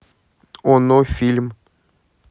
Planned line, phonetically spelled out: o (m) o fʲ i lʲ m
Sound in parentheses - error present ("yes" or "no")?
yes